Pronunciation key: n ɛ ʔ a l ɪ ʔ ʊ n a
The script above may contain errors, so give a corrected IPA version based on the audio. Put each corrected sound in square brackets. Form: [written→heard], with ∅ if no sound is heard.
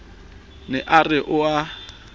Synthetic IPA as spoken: n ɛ ʔ a [l→r] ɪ ʔ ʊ [n→∅] a